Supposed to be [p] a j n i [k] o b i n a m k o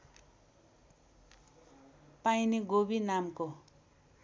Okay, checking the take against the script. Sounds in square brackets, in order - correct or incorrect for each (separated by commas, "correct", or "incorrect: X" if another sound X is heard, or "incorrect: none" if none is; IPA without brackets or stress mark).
correct, incorrect: ɡ